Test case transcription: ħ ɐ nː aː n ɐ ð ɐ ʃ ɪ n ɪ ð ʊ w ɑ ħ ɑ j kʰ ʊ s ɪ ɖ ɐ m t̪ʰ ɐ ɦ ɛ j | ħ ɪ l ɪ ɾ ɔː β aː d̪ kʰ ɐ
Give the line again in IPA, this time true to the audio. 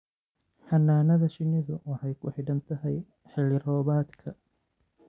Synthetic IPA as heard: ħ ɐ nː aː n ɐ ð ɐ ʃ ɪ n ɪ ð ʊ w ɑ ħ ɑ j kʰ ʊ ħ ɪ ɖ ɐ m t̪ʰ ɐ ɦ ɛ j | ħ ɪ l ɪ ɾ ɔː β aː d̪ kʰ ɐ